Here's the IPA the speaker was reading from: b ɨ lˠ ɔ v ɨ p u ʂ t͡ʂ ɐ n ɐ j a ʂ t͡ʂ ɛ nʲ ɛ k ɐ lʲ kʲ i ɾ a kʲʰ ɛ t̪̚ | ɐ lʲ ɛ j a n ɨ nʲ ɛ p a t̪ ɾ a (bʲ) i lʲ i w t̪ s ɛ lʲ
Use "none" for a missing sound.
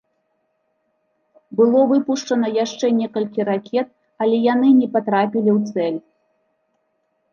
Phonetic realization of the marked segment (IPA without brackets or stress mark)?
pʲ